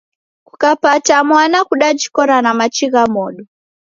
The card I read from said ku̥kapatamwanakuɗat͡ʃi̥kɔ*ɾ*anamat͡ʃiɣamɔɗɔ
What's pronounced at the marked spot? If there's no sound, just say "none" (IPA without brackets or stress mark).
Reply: ɾ